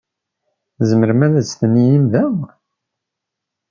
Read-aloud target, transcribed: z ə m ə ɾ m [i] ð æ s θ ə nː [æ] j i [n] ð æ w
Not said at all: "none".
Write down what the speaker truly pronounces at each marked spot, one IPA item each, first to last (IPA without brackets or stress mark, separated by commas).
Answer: æ, i, m